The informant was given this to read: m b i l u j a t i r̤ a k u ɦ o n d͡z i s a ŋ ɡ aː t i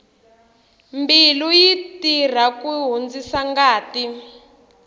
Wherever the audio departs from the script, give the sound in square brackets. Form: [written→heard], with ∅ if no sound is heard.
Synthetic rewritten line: m b i l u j [a→i] t i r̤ a k u ɦ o n d͡z i s a ŋ ɡ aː t i